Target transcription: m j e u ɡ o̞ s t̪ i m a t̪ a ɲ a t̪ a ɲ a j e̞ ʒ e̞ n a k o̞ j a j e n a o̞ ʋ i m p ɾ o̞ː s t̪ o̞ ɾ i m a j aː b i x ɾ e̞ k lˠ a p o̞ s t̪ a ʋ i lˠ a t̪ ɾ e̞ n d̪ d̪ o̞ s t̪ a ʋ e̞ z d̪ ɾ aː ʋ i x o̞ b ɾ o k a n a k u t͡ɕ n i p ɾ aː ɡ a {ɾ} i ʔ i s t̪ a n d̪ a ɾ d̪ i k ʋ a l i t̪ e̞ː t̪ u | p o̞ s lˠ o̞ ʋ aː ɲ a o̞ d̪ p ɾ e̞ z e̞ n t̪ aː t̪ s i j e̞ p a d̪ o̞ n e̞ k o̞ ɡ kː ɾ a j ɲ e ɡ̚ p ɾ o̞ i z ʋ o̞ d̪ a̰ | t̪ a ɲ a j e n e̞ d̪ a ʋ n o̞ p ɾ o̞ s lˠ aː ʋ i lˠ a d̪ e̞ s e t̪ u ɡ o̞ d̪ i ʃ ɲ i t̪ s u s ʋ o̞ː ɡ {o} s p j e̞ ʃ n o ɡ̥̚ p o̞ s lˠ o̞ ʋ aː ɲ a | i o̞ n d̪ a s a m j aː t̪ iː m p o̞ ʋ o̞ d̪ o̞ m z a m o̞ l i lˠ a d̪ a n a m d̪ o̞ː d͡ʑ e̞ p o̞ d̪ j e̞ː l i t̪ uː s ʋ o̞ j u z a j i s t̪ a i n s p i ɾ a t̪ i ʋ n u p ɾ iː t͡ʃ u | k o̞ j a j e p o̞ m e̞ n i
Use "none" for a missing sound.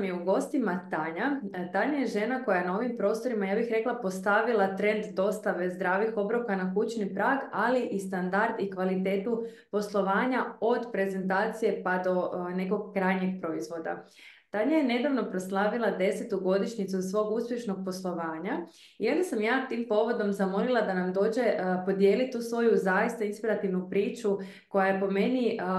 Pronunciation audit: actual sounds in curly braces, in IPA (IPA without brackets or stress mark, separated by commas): l, u